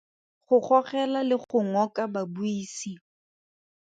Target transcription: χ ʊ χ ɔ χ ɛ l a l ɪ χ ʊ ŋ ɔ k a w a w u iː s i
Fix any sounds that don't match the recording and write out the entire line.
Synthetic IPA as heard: χ ʊ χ ɔ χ ɛ l a l ɪ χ ʊ ŋ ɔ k a b a b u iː s i